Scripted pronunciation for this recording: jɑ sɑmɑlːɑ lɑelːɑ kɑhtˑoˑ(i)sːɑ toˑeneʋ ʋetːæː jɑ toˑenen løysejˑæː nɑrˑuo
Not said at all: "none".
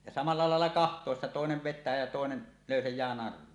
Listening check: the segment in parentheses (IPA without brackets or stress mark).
e